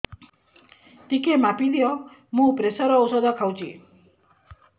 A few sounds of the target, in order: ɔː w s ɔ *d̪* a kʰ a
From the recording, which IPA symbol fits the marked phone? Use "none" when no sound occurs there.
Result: d̪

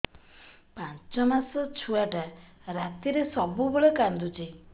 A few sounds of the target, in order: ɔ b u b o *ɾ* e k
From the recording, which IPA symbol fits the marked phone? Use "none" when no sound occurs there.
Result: ɭ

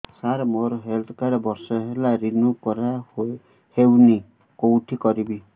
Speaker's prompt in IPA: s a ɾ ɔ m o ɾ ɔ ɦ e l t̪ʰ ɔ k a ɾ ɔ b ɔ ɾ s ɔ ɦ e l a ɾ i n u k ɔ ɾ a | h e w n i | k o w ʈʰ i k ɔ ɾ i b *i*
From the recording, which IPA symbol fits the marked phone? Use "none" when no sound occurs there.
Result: i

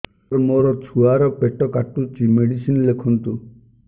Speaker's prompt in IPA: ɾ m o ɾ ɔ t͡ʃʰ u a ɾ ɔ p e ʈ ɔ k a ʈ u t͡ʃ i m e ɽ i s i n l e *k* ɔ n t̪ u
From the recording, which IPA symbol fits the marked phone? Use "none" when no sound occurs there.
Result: kʰ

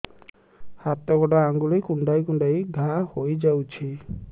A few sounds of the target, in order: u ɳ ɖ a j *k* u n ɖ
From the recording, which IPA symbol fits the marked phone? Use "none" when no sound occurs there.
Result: k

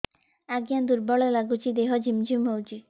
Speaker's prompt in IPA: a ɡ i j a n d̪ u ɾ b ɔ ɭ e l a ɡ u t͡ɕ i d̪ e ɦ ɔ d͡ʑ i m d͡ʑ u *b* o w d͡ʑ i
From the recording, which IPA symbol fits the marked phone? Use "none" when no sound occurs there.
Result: m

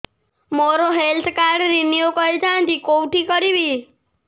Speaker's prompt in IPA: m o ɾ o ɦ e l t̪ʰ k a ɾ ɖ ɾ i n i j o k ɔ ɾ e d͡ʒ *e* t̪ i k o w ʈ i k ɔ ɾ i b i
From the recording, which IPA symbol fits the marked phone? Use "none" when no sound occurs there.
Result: a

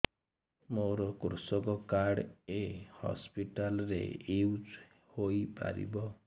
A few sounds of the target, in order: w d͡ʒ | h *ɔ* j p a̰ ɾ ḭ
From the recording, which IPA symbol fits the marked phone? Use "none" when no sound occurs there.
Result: o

